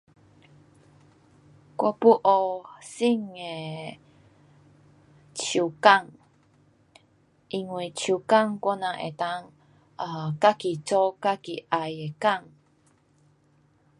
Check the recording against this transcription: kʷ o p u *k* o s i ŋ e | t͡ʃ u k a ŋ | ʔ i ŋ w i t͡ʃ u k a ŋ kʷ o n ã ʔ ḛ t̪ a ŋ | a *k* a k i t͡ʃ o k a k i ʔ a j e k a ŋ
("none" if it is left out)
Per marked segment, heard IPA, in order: ʔ, k

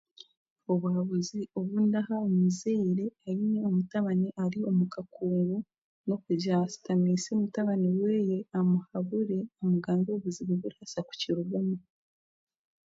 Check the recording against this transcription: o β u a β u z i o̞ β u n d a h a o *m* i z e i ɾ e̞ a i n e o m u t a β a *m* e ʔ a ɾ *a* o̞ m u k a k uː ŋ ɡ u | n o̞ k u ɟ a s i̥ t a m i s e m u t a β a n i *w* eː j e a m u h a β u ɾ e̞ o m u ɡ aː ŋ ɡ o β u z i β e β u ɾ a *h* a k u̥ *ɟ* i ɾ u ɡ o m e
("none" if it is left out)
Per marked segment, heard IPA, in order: m, n, i, w, s, c

